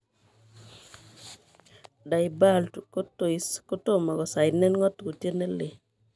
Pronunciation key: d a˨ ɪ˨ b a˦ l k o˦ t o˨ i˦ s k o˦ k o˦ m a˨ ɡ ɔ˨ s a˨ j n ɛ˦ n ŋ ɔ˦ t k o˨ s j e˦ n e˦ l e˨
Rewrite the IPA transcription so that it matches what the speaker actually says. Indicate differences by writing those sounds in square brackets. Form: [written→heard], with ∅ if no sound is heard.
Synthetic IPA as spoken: d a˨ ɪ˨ b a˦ l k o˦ t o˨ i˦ s k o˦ [k→t] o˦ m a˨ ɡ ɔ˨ s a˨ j n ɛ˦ n ŋ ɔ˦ t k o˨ [s→t] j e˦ n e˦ l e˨